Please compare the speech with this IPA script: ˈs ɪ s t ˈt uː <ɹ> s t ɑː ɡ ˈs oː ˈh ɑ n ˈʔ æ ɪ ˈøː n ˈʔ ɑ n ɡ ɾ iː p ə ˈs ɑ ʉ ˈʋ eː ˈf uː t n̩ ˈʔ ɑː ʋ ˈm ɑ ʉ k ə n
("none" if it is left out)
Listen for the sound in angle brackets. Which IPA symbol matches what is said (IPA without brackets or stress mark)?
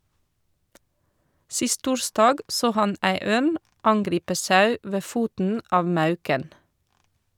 ɹ